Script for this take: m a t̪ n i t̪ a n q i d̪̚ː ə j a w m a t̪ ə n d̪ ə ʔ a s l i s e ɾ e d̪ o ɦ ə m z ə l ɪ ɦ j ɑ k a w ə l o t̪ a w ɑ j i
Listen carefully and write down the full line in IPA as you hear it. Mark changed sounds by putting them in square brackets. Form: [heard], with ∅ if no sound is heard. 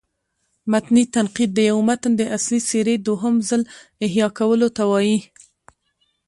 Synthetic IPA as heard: m a t̪ n i t̪ a n q i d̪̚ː ə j a w m a t̪ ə n d̪ ə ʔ a s l i s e ɾ e d̪ o ɦ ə m z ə l ɪ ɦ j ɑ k a w ə l o t̪ a w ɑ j i